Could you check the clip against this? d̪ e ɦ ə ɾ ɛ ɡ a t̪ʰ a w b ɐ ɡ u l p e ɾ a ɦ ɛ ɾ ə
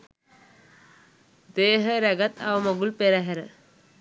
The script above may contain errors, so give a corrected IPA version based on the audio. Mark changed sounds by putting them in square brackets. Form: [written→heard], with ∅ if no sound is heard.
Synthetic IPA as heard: d̪ e ɦ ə ɾ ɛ ɡ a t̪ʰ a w [b→m] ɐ ɡ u l p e ɾ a ɦ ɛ ɾ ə